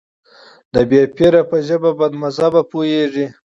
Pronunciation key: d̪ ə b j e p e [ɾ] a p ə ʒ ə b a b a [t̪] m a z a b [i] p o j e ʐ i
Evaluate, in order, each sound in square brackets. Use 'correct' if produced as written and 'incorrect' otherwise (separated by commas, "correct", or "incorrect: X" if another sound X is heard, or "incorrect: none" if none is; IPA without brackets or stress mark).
correct, incorrect: d̪, incorrect: a